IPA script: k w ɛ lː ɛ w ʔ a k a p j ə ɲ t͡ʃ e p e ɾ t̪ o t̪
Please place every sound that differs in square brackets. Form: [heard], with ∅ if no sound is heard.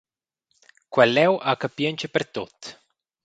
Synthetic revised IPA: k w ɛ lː ɛ w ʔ a k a p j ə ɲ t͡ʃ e p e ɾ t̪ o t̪

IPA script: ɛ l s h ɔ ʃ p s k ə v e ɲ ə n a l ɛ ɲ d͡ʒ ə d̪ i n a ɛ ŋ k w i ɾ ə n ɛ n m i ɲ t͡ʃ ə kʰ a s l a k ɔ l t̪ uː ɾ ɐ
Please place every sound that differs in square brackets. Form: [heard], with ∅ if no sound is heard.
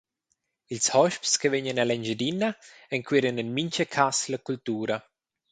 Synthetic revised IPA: [i] l s h ɔ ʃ p s k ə v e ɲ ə n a l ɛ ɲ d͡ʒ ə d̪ i n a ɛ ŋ k w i ɾ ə n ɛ n m i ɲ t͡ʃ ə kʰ a s l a k [u] l t̪ uː ɾ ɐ

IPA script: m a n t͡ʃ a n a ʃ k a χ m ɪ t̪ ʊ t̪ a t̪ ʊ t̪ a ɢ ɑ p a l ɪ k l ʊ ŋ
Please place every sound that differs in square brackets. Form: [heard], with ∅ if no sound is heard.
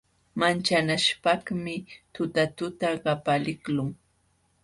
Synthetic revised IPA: m a n t͡ʃ a n a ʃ [p] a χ m ɪ t̪ ʊ t̪ a t̪ ʊ t̪ a ɢ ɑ p a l ɪ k l ʊ ŋ

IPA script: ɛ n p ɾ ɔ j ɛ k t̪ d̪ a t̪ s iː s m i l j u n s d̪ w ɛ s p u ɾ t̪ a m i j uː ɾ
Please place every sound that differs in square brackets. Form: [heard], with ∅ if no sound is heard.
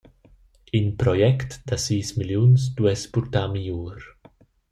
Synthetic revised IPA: [i] n p ɾ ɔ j ɛ k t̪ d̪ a [∅] s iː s m i l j u n s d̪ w ɛ s p u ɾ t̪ a m i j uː ɾ

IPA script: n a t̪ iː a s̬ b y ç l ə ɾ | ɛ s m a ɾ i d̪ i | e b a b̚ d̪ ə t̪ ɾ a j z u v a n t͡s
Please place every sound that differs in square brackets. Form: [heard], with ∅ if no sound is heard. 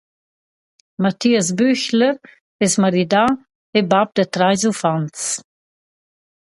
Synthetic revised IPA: [m] a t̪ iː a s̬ b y ç l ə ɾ | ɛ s m a ɾ i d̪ [a] | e b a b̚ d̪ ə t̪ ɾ a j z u [f] a n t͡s

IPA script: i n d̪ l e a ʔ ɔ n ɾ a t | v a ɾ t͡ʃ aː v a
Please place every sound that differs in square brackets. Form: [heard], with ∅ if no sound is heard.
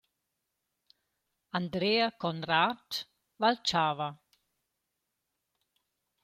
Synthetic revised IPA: [a] n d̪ [ɾ] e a [k] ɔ n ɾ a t | v a [l] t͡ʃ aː v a

